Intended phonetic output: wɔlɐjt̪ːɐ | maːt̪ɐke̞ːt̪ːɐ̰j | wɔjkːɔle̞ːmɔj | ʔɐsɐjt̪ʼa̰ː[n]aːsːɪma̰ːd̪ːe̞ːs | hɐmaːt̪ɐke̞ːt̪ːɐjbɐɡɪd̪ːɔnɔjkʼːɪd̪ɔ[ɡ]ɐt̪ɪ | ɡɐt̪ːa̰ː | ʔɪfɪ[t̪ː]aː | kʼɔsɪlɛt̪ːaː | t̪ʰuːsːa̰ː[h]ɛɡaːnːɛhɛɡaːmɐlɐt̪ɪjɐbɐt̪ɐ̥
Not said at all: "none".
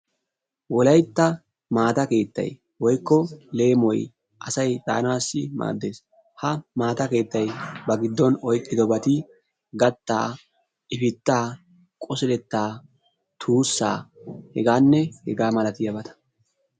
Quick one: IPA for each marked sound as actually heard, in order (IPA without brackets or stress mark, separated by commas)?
n, b, t̪ː, h